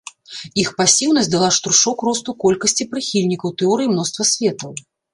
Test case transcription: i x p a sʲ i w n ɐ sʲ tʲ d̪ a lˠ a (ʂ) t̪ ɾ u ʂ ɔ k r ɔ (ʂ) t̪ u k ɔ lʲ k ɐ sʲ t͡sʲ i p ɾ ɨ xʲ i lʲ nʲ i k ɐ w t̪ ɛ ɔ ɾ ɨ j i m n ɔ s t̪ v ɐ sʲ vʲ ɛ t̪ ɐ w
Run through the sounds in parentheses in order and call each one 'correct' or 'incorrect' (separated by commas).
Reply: correct, incorrect